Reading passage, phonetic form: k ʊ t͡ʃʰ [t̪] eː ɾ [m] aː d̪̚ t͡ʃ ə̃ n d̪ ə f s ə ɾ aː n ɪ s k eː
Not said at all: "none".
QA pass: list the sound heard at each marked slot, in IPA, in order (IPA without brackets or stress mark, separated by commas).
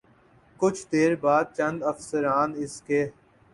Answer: d̪, b